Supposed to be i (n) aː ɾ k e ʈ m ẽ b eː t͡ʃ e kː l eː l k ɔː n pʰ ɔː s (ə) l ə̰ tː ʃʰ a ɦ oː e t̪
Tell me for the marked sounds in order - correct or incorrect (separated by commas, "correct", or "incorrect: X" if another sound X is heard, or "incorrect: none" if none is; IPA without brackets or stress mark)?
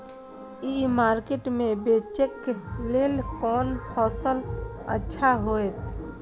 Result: incorrect: m, correct